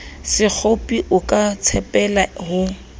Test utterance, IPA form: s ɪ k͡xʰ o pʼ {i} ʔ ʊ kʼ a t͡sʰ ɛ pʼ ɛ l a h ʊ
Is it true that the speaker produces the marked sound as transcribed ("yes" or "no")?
yes